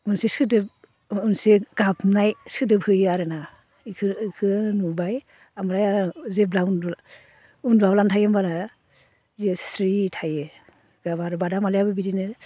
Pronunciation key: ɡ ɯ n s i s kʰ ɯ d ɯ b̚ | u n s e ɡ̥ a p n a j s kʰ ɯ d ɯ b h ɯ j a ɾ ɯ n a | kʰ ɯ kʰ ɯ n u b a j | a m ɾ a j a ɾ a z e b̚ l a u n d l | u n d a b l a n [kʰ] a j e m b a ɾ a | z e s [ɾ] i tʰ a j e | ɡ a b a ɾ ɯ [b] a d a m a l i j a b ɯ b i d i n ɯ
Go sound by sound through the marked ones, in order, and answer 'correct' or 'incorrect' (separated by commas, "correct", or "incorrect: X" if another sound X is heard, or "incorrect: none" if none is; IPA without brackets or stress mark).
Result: incorrect: tʰ, correct, correct